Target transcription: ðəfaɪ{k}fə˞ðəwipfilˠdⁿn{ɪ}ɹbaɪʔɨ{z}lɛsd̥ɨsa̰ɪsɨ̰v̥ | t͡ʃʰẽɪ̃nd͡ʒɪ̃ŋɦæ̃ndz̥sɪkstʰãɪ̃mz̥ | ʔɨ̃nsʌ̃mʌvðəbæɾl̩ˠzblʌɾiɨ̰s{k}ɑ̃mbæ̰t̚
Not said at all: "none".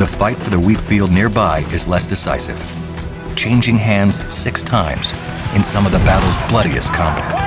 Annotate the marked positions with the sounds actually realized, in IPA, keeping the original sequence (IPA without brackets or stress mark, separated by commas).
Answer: t, ɪ, z, kʰ